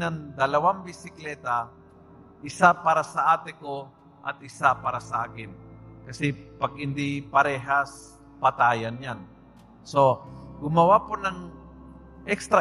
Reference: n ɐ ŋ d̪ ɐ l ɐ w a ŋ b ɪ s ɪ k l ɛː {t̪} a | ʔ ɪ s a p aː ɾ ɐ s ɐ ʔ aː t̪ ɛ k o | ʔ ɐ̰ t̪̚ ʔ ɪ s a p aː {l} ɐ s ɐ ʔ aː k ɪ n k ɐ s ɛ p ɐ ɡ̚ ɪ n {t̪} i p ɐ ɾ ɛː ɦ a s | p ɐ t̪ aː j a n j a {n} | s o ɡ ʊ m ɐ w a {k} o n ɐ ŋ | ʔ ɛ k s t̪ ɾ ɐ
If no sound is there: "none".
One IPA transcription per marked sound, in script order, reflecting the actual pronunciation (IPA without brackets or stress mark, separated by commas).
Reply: t̪, ɾ, d̪, n, p